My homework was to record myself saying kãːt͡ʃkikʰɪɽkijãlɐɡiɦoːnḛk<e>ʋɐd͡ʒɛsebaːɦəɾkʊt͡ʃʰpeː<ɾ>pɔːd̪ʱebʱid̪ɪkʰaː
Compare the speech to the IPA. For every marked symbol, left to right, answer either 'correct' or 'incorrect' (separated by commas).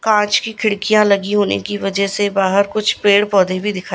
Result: incorrect, incorrect